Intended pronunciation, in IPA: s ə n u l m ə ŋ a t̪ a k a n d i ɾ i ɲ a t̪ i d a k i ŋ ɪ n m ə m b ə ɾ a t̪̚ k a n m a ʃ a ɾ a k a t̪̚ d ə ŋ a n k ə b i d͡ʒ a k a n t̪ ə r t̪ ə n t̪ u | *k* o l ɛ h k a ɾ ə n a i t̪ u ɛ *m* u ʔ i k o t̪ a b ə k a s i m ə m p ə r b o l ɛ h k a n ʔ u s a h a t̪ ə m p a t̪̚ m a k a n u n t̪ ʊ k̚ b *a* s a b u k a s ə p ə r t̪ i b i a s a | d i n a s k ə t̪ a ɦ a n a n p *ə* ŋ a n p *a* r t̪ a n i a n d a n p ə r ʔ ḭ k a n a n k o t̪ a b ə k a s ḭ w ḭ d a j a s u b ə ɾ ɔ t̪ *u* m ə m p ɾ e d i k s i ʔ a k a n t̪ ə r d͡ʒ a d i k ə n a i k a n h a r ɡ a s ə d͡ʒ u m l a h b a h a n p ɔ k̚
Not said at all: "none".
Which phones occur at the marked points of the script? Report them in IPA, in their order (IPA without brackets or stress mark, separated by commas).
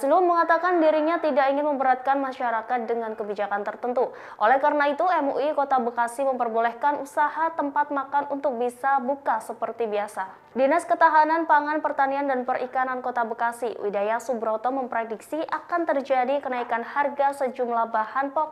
ʔ, m, i, a, ə, ɔ